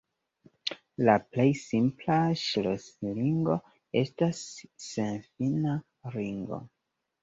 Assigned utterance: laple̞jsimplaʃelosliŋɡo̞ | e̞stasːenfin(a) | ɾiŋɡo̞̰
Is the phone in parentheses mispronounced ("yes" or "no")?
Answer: no